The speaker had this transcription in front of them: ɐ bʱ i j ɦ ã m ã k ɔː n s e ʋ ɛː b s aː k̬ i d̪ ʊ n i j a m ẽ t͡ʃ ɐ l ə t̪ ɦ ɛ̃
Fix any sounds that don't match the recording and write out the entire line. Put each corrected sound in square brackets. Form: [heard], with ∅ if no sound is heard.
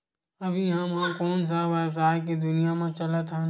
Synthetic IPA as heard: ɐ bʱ i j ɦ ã m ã k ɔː n s [a] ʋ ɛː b s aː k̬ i d̪ ʊ n i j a m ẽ t͡ʃ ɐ l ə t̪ ɦ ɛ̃